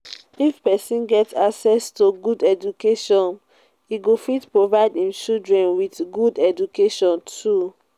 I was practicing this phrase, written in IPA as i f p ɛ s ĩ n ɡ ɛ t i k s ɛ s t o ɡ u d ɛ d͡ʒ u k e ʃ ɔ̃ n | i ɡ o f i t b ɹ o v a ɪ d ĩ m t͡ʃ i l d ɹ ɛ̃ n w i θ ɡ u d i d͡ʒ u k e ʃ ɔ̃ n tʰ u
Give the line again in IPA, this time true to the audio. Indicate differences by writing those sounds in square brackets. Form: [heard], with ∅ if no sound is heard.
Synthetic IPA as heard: i f p ɛ s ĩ n ɡ ɛ t [a] k s ɛ s t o ɡ u d ɛ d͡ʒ u k e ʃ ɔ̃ n | i ɡ o f i t [p] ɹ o v a ɪ d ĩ m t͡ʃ i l d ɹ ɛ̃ n w i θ ɡ u d [ɛ] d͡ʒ u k e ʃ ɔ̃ n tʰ u